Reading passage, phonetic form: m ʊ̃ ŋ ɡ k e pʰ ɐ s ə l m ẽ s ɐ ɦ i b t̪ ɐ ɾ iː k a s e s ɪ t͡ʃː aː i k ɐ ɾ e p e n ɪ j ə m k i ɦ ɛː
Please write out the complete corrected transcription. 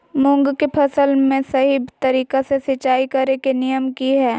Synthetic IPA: m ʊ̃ ŋ ɡ k e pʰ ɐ s ə l m ẽ s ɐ ɦ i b t̪ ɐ ɾ iː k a s e s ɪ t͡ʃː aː i k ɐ ɾ e k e n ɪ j ə m k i ɦ ɛː